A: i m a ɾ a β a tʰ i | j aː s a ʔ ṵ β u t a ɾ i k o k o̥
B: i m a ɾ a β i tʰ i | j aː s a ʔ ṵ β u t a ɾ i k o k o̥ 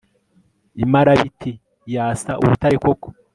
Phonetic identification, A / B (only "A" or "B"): B